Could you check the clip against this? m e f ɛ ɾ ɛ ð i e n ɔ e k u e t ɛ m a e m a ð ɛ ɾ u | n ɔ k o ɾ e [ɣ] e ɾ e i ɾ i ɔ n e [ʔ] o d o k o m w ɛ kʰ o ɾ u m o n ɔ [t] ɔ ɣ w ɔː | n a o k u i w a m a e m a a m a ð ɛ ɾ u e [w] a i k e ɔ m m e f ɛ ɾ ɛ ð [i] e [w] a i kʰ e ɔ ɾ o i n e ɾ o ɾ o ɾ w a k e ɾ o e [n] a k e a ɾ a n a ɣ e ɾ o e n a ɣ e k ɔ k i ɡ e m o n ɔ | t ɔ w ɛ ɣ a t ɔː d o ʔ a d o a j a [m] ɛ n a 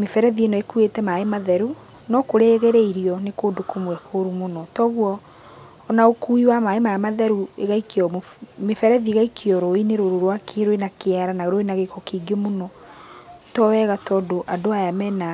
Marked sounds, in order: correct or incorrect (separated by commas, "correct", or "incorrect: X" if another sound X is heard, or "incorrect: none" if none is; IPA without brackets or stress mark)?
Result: correct, incorrect: k, correct, incorrect: ɣ, correct, incorrect: ɣ, correct, correct